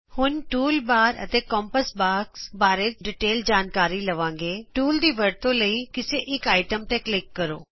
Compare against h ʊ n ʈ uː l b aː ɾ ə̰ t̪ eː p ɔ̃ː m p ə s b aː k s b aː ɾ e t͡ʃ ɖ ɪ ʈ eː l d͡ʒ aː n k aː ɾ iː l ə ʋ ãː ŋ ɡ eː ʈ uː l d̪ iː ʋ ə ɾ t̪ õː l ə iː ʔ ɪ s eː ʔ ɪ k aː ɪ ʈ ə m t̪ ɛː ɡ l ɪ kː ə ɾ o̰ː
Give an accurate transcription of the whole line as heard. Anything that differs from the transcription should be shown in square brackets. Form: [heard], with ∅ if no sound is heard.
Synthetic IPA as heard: h ʊ n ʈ uː l b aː ɾ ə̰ t̪ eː [k] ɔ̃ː m p ə s b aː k s b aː ɾ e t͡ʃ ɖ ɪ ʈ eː l d͡ʒ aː n k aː ɾ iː l ə ʋ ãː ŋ ɡ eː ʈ uː l d̪ iː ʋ ə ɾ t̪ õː l ə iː [k] ɪ s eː ʔ ɪ k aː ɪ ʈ ə m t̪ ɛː [k] l ɪ kː ə ɾ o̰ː

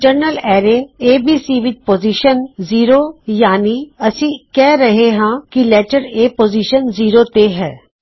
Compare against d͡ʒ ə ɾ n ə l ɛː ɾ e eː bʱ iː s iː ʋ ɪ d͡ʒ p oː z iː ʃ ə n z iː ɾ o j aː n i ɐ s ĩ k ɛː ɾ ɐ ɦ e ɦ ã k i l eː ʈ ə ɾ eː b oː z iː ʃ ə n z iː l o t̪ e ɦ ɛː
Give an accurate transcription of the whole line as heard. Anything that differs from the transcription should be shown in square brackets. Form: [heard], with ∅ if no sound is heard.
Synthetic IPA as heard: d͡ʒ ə ɾ n ə l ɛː ɾ e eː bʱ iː s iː ʋ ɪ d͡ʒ p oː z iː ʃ ə n z iː ɾ o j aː n i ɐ s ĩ k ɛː ɾ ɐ ɦ e ɦ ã k i l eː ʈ ə ɾ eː [p] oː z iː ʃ ə n z iː [ɾ] o t̪ e ɦ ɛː

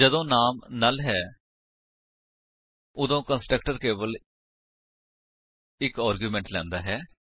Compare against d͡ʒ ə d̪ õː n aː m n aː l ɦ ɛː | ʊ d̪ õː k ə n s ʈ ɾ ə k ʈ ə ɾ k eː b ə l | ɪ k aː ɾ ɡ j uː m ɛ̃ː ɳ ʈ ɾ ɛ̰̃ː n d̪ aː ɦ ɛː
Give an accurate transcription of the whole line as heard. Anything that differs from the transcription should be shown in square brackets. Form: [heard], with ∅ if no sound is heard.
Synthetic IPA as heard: d͡ʒ ə d̪ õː n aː m n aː l ɦ ɛː | ʊ d̪ õː k ə n s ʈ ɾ ə k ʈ ə ɾ k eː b ə l | ɪ k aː ɾ ɡ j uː m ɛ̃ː ɳ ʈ [l] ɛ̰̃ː n d̪ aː ɦ ɛː

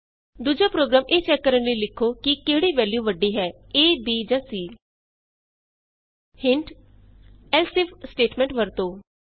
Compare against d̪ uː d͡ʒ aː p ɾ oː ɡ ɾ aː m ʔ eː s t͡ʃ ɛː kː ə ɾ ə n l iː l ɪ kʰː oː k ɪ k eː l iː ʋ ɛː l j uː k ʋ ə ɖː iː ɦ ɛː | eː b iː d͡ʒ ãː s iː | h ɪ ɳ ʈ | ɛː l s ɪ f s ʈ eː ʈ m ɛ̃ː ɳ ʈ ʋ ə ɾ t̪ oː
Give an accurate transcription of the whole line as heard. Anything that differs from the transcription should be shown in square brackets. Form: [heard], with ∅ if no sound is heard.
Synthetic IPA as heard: d̪ uː d͡ʒ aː p ɾ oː ɡ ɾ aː m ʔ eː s t͡ʃ ɛː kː ə ɾ ə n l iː l ɪ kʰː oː k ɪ k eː [ɽ] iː ʋ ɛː l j uː [∅] ʋ ə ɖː iː ɦ ɛː | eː b iː d͡ʒ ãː s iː | h ɪ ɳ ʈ | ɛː l s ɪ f s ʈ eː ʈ m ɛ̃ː ɳ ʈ ʋ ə ɾ t̪ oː

